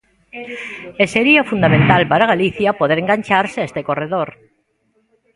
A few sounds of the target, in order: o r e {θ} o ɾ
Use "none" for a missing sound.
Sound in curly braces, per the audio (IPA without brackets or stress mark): ð